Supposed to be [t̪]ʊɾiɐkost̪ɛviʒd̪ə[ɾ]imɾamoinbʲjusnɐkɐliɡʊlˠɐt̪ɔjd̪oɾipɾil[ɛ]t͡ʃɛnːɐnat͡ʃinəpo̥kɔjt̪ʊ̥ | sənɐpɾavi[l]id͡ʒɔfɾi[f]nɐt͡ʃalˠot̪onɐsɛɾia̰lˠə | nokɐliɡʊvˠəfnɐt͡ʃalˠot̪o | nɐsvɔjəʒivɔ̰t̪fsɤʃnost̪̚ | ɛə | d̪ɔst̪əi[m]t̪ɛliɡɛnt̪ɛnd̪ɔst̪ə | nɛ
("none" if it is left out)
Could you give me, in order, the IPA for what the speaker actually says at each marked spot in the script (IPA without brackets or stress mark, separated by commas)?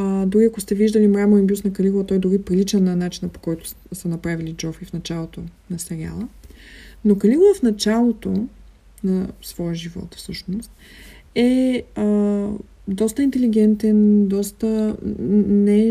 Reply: d̪, l, i, l, f, n